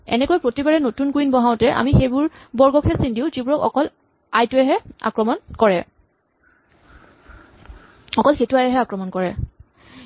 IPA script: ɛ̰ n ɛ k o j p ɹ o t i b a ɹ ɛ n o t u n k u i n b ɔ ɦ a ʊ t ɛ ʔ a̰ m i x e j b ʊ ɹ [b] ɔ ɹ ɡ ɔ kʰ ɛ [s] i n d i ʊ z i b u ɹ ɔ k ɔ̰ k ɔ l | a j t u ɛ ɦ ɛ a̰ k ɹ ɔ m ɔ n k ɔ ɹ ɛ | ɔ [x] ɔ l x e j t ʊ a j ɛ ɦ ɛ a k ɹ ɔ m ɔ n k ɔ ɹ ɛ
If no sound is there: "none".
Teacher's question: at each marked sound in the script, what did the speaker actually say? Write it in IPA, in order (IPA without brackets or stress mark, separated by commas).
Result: b, s, k